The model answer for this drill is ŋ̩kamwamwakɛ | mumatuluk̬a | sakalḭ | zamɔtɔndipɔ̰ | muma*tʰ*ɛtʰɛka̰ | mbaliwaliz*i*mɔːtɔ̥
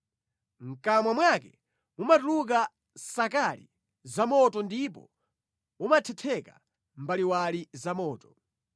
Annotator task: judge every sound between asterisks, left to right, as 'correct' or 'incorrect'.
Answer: correct, incorrect: a

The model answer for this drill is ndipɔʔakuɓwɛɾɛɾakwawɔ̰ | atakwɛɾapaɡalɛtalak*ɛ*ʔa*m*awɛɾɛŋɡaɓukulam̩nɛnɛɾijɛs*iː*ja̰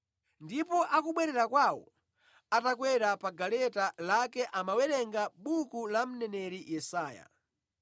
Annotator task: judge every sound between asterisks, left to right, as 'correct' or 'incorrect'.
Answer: correct, correct, incorrect: aː

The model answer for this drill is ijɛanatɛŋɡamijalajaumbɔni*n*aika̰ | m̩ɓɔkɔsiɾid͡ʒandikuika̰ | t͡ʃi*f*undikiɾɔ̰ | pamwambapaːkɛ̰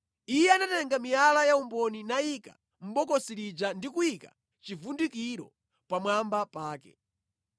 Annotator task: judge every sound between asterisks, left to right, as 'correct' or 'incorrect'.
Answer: correct, incorrect: v

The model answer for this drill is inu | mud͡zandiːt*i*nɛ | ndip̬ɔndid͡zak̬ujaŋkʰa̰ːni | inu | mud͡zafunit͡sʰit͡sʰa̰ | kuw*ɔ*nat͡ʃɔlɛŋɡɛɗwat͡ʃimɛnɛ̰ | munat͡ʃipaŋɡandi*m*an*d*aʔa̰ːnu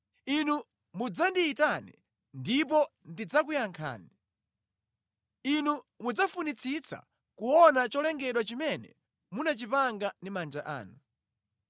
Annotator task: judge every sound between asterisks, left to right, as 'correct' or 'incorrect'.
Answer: incorrect: a, correct, correct, incorrect: d͡ʒ

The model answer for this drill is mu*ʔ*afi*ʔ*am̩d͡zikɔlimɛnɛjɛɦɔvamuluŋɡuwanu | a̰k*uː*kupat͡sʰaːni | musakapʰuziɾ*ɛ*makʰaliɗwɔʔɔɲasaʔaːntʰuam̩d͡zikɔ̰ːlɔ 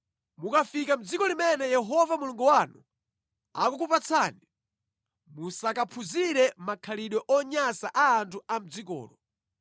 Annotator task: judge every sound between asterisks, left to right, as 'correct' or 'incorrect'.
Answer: incorrect: k, incorrect: k, incorrect: u, correct

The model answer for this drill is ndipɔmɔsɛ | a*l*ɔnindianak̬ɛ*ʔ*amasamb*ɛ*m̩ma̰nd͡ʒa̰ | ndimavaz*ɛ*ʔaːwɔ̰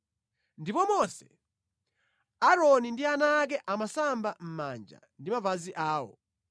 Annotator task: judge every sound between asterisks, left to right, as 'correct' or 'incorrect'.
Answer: incorrect: ɾ, correct, incorrect: a, incorrect: i

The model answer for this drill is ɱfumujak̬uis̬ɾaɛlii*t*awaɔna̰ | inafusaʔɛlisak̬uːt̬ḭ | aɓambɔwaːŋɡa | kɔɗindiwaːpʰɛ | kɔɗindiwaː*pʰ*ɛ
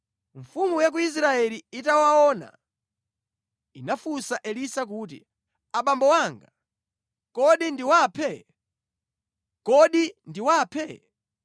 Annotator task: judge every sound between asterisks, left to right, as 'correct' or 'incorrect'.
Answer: correct, correct

